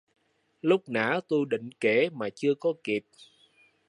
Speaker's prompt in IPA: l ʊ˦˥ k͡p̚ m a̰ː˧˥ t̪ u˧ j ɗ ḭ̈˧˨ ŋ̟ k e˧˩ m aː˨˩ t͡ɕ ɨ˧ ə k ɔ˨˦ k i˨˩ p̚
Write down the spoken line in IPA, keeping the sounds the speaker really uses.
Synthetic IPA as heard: l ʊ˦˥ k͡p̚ n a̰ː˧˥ t̪ u˧ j ɗ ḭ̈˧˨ ŋ̟ k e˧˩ m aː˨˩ t͡ɕ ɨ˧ ə k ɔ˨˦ k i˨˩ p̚